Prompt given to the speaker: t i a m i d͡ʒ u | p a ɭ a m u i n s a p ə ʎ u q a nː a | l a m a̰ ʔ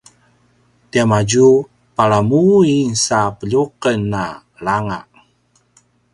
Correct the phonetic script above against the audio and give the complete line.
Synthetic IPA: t i a m a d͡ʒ u | p a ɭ a m u i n s a p ə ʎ u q ə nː a | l a ŋ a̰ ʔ